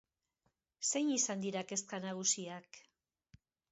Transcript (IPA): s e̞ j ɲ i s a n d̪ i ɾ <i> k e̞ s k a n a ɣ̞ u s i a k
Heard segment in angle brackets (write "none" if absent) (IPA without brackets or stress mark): a